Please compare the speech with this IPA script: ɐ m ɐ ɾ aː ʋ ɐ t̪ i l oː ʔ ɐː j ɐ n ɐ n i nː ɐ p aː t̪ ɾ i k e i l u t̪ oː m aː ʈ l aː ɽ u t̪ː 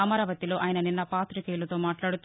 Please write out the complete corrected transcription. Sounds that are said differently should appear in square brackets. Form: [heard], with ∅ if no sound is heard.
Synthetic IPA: ɐ m ɐ ɾ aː ʋ ɐ t̪ i l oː ʔ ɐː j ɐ n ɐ n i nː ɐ p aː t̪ ɾ i k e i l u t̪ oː m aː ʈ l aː ɽ u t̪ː